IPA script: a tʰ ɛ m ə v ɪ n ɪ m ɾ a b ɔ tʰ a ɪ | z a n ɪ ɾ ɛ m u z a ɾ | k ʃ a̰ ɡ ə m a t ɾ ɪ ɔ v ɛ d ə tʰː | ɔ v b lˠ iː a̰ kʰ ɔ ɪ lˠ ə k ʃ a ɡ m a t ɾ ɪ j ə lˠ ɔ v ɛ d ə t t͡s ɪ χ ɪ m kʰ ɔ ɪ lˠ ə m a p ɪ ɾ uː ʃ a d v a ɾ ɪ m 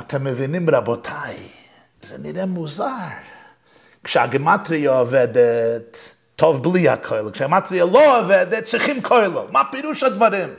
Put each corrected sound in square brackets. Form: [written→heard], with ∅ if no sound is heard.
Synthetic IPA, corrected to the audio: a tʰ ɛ m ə v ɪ n ɪ m ɾ a b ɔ tʰ a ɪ | z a n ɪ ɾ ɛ m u z a ɾ | k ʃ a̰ ɡ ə m a t ɾ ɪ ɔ v ɛ d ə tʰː | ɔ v b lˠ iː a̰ kʰ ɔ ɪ lˠ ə k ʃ a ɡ m a t ɾ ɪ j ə lˠ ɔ v ɛ d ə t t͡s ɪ χ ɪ m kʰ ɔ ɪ lˠ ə m a p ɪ ɾ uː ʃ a d v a ɾ ɪ m